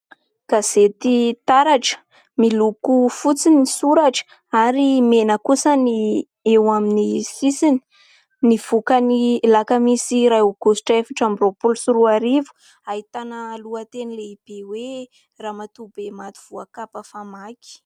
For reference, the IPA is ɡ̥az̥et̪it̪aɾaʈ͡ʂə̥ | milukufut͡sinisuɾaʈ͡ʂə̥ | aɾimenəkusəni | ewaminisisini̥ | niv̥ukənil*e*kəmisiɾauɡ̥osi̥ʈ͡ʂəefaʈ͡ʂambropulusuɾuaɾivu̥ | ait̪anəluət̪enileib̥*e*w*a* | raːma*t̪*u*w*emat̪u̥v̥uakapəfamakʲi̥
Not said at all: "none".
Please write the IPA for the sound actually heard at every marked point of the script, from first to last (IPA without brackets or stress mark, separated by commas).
a, e, e, t̪, b